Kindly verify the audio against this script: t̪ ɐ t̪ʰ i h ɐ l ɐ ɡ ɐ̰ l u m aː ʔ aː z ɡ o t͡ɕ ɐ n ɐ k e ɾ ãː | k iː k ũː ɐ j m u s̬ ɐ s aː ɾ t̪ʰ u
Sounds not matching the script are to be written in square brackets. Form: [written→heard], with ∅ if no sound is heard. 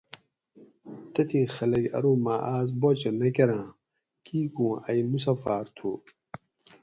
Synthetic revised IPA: t̪ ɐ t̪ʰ i [h→x] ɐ l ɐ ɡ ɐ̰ [l→ɾ] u m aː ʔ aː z [ɡ→b] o t͡ɕ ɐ n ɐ k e ɾ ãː | k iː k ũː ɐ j m u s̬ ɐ [s→f] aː ɾ t̪ʰ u